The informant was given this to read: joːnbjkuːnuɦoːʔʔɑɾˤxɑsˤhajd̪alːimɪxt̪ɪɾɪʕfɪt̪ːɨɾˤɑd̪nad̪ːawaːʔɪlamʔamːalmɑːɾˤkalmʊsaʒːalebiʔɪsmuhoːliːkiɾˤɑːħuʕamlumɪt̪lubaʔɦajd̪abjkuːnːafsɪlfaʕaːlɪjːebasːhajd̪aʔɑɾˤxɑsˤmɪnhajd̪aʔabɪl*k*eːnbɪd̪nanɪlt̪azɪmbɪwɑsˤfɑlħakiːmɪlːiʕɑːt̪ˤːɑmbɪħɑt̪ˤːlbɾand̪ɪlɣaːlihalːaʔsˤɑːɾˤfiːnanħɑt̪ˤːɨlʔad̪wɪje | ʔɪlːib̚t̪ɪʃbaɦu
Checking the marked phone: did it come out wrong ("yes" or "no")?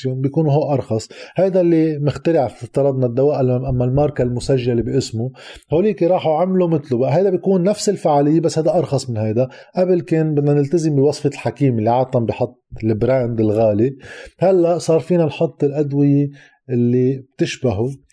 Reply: no